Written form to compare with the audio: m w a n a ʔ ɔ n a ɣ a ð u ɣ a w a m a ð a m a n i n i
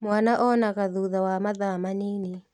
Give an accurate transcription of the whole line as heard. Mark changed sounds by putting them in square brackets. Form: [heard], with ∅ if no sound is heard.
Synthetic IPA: m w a n a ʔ ɔ n a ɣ a ð u [ð] a w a m a ð a m a n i n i